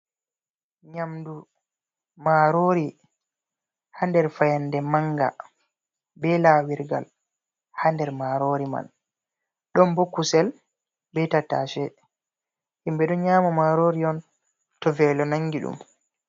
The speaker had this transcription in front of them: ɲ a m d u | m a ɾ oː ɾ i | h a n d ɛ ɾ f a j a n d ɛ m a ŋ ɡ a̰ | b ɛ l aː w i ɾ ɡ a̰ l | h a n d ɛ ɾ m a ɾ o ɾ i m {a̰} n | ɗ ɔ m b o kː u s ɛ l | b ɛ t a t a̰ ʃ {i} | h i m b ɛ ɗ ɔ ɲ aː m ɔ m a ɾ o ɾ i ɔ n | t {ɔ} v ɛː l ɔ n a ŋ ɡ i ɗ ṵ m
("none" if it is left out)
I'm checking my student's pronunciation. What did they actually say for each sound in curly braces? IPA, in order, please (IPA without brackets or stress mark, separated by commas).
a̰, ɛ, ɔ